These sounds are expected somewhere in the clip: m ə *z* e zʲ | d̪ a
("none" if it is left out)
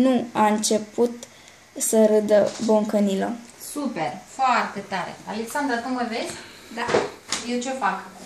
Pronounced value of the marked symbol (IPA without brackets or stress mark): v